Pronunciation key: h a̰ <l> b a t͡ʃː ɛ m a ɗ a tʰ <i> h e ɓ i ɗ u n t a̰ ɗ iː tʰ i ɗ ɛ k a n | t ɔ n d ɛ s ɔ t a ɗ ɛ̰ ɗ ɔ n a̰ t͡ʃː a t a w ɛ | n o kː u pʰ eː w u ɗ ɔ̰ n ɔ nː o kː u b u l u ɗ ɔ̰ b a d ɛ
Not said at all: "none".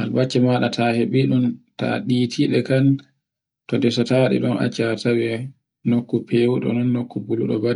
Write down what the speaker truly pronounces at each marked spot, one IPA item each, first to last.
l, a

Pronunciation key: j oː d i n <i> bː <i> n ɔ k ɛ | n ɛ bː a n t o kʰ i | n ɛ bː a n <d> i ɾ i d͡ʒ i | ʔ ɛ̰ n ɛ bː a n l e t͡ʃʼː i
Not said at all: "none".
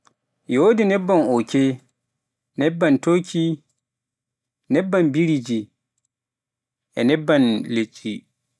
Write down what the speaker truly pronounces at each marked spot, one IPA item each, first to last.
ɛ, a, b

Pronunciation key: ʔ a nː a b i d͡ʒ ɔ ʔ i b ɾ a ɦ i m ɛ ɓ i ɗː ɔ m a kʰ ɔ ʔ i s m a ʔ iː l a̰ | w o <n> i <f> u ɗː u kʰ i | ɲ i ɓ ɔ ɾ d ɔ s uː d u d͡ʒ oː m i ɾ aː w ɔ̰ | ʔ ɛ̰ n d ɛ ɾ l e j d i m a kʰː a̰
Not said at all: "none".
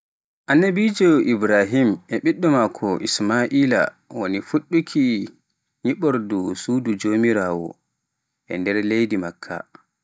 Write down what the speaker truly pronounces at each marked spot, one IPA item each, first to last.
n, f

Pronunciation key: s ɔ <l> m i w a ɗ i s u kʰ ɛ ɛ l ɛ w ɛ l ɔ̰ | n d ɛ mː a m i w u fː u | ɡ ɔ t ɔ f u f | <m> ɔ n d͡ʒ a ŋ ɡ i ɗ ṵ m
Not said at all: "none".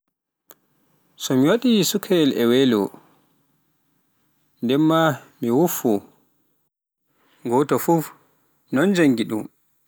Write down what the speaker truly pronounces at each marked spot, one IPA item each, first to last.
none, n

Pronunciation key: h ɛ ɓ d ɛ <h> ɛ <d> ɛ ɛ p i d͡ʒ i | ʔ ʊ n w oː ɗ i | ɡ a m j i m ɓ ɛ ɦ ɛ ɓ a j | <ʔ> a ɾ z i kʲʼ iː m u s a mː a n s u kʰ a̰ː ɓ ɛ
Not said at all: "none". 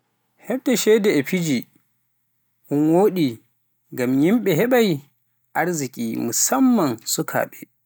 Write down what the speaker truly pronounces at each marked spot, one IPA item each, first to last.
ʃ, d, ʔ

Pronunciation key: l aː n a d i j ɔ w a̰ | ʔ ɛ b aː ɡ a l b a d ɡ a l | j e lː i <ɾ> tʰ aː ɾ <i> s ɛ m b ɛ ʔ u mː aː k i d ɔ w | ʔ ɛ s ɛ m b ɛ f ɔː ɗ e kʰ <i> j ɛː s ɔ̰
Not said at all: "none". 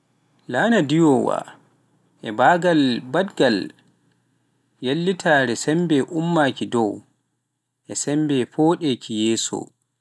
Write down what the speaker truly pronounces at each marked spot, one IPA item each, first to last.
none, ɛ, i

